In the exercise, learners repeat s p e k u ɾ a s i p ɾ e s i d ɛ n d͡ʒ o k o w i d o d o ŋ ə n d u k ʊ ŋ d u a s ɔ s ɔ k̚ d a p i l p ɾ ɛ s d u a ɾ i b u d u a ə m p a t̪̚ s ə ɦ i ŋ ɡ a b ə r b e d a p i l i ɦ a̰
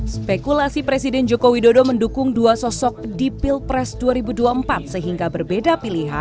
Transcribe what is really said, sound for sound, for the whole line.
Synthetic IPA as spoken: s p e k u l a s i p ɾ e s i d ɛ n d͡ʒ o k o w i d o d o m ə n d u k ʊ ŋ d u a s ɔ s ɔ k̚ d i p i l p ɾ ɛ s d u a ɾ i b u d u a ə m p a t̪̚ s ə ɦ i ŋ ɡ a b ə r b e d a p i l i ɦ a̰